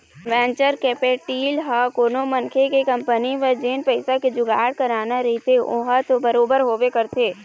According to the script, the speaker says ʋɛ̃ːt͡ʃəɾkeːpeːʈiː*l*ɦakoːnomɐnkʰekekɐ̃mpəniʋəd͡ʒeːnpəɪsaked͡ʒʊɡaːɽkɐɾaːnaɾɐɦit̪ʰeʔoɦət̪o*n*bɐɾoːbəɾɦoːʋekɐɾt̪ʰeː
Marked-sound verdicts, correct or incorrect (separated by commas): correct, incorrect